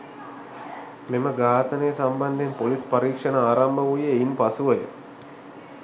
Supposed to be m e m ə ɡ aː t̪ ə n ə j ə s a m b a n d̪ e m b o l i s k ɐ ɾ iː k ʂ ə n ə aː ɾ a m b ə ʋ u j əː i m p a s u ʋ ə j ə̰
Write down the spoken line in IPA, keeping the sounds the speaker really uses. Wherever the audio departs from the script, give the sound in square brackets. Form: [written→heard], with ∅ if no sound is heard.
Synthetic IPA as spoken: m e m ə ɡ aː t̪ ə n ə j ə s a m b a n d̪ e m [b→p] o l i s [k→p] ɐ ɾ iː k ʂ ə n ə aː ɾ a m b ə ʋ u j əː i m p a s u ʋ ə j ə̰